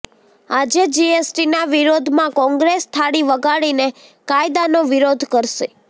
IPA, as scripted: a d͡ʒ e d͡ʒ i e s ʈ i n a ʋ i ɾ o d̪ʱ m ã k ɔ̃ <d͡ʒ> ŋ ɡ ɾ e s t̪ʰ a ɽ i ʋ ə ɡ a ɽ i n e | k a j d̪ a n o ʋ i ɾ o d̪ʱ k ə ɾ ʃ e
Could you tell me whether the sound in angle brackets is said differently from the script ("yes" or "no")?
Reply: yes